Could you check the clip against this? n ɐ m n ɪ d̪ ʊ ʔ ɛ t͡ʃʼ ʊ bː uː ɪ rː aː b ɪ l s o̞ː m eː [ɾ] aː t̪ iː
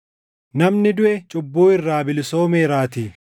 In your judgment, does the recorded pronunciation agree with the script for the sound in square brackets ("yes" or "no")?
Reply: yes